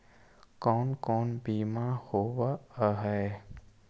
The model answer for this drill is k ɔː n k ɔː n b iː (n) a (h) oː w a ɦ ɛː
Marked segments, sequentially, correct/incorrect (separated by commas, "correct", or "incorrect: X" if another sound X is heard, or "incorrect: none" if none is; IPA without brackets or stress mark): incorrect: m, correct